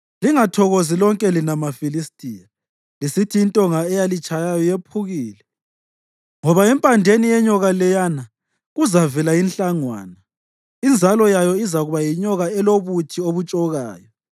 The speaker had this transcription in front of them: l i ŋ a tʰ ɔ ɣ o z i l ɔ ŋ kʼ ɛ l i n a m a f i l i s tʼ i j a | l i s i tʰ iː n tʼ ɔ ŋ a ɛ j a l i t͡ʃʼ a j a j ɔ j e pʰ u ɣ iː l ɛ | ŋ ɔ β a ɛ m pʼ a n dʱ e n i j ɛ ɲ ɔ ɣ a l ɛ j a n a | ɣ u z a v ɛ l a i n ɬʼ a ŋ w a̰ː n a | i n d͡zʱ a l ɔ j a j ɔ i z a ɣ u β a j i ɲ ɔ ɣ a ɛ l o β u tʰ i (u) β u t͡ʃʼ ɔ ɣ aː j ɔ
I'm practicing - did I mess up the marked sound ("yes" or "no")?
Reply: yes